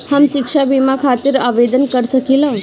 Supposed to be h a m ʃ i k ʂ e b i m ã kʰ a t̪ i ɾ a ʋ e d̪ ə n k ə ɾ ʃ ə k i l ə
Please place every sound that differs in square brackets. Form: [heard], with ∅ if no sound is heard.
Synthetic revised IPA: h a m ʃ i k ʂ [a] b i m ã kʰ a t̪ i ɾ a ʋ e d̪ ə n k ə ɾ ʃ ə k i l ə